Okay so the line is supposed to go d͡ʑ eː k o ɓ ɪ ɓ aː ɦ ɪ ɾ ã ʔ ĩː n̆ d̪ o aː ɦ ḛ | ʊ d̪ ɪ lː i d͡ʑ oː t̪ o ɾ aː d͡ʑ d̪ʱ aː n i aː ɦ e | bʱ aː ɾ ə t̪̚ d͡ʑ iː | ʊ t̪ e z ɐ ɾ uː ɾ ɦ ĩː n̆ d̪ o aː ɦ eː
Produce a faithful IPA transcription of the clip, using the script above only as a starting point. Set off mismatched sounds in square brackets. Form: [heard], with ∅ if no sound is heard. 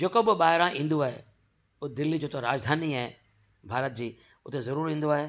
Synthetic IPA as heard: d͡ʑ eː k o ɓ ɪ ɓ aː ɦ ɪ ɾ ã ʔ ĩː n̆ d̪ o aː ɦ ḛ | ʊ d̪ ɪ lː i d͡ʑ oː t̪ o ɾ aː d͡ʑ d̪ʱ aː n i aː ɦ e | bʱ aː ɾ ə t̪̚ d͡ʑ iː | ʊ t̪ e z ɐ ɾ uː ɾ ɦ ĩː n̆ d̪ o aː ɦ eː

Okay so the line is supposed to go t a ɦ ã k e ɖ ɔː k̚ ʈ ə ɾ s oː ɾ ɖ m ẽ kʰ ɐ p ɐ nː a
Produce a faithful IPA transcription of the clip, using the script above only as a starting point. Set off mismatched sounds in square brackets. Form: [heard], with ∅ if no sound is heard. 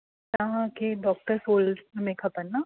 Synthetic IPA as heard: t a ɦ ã k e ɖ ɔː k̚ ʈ ə ɾ s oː [l] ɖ m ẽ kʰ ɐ p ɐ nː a

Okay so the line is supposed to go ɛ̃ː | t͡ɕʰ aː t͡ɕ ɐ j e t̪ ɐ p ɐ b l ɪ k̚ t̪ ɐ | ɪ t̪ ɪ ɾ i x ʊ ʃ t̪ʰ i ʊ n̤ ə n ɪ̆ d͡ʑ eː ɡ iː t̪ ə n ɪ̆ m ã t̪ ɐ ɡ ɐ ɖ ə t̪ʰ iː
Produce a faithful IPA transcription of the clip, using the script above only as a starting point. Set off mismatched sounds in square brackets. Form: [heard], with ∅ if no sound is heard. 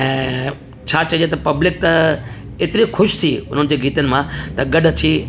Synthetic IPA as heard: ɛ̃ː | t͡ɕʰ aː t͡ɕ ɐ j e t̪ ɐ p ɐ b l ɪ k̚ t̪ ɐ | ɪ t̪ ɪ ɾ i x ʊ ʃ t̪ʰ i ʊ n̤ ə n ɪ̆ d͡ʑ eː ɡ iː t̪ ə n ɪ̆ m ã t̪ ɐ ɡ ɐ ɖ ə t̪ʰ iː

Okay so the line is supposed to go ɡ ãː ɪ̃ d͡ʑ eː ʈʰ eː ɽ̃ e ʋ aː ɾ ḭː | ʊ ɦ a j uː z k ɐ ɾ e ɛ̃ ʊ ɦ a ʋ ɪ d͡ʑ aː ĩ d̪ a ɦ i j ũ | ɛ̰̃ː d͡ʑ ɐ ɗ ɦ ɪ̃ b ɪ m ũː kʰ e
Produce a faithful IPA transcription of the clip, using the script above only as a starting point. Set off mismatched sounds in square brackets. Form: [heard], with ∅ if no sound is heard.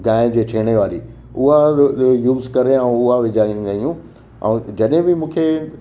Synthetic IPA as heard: ɡ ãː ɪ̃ d͡ʑ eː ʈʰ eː ɽ̃ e ʋ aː ɾ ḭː | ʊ ɦ a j uː z k ɐ ɾ e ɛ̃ ʊ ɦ a ʋ ɪ d͡ʑ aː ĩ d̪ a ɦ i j ũ | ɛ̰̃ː d͡ʑ ɐ ɗ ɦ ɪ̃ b ɪ m ũː kʰ e

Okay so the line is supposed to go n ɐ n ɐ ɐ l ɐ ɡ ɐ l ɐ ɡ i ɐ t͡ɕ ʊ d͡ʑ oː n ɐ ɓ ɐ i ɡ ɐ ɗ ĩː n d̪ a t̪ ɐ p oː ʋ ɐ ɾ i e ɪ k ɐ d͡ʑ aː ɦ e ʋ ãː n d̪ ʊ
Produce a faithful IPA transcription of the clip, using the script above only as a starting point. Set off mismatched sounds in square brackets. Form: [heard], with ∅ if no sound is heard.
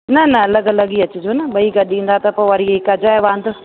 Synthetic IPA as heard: n ɐ n ɐ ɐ l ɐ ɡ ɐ l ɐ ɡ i ɐ t͡ɕ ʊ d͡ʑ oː n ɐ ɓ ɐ i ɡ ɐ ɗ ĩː n d̪ a t̪ ɐ p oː ʋ ɐ ɾ i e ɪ k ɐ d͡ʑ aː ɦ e ʋ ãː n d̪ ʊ

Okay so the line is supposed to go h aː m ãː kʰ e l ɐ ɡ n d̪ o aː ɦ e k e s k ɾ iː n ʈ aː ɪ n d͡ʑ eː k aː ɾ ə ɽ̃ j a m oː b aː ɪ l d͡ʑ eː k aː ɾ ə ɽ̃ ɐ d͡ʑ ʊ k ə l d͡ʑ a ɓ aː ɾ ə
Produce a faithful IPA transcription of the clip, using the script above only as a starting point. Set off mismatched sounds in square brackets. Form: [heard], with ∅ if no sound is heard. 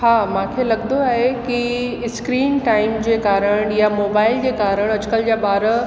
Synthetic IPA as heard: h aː m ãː kʰ e l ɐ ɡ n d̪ o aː ɦ e k [i] s k ɾ iː n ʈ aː ɪ [m] d͡ʑ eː k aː ɾ ə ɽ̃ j a m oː b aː ɪ l d͡ʑ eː k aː ɾ ə ɽ̃ ɐ d͡ʑ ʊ k ə l d͡ʑ a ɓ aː ɾ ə

